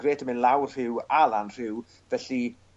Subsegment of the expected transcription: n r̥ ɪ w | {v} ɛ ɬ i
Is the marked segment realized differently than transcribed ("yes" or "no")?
no